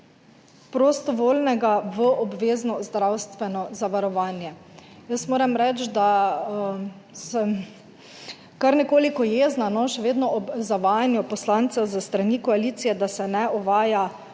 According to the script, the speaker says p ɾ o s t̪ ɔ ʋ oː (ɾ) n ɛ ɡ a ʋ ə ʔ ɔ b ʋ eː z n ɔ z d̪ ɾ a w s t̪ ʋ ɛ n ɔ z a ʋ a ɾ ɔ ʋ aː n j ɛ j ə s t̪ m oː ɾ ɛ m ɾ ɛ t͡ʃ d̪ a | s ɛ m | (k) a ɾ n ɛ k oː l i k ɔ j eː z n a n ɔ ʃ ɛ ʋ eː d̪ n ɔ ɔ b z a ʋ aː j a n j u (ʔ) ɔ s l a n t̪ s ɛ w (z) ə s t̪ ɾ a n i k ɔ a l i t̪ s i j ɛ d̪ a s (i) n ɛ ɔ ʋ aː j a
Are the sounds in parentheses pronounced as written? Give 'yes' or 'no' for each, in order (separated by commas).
no, yes, no, yes, no